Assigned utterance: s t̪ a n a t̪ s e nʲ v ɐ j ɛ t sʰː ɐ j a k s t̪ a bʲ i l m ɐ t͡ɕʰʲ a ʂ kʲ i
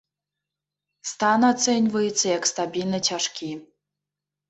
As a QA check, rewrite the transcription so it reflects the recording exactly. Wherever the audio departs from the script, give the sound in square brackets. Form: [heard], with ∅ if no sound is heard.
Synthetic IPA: s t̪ a n a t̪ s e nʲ v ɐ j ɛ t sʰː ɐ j a k s t̪ a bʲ i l [n] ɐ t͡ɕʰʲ a ʂ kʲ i